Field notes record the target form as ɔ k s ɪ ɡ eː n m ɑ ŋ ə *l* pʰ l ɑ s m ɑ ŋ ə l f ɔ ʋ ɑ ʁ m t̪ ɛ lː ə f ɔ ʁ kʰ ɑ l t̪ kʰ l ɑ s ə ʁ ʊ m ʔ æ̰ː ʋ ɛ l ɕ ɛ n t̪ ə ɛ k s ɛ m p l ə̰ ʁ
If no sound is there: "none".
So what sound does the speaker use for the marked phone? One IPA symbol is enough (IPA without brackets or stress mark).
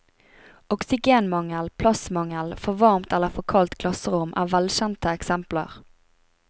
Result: l